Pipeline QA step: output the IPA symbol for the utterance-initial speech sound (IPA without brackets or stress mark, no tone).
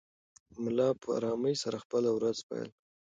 m